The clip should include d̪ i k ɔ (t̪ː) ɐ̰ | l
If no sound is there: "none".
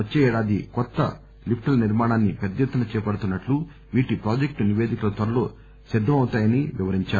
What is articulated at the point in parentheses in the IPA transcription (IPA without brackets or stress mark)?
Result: t̪ː